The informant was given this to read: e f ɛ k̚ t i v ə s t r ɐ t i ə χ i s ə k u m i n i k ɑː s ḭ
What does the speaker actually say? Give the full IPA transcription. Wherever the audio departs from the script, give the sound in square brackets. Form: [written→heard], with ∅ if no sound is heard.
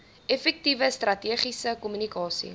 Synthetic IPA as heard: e f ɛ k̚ t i v ə s t r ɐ t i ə χ i s ə k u m [i→y] n i k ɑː s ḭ